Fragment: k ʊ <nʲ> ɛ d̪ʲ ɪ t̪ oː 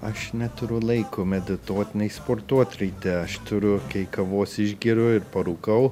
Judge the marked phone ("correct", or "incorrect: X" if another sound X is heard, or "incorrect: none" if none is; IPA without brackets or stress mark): incorrect: mʲ